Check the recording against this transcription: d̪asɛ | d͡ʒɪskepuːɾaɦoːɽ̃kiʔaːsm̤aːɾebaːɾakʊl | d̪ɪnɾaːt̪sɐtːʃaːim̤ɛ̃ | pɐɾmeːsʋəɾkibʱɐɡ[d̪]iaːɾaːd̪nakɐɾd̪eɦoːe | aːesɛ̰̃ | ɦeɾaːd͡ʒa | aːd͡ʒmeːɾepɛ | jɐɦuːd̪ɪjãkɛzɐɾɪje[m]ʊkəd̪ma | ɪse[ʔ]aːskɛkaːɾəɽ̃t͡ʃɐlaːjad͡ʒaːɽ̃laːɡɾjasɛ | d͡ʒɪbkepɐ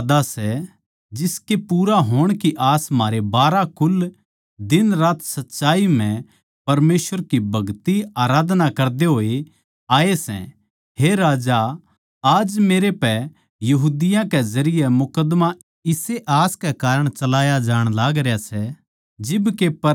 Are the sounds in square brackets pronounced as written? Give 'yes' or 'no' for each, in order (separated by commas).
no, yes, yes